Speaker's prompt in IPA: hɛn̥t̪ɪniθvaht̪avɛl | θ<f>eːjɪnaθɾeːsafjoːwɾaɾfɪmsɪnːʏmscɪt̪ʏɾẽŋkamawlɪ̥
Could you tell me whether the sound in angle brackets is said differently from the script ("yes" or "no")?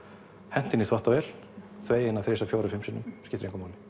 yes